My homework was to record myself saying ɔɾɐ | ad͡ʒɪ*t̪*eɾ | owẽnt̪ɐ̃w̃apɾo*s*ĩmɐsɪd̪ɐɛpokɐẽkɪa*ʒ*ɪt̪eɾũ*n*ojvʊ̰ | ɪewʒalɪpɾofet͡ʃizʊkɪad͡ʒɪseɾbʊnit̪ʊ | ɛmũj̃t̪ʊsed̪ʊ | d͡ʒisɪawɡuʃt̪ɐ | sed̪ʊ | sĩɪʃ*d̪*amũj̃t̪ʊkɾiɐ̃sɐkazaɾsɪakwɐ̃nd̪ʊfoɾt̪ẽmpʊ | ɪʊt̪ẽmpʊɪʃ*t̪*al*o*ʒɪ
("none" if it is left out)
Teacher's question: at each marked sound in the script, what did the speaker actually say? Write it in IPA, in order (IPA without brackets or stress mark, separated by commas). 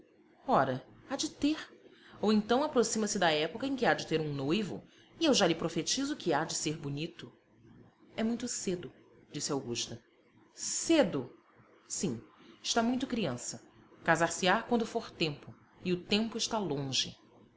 t̪, s, d͡ʒ, n, t̪, t̪, õ